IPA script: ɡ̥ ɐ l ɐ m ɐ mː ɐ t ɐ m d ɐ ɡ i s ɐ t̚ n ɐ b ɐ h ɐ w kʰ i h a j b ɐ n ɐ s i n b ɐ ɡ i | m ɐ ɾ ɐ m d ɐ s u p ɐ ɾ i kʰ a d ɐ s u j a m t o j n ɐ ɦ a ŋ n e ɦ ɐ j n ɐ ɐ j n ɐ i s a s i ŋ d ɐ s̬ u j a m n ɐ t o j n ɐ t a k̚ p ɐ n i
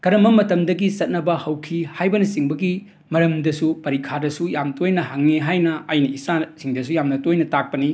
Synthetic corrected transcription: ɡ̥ ɐ ɾ ɐ m ɐ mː ɐ t ɐ m d ɐ ɡ i s ɐ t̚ n ɐ b ɐ h ɐ w kʰ i h a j b ɐ n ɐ s i ŋ b ɐ ɡ i | m ɐ ɾ ɐ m d ɐ s u p ɐ ɾ i kʰ a d ɐ s u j a m t o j n ɐ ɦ a ŋ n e ɦ a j n ɐ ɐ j n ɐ i s a s i ŋ d ɐ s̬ u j a m n ɐ t o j n ɐ t a k̚ p ɐ n i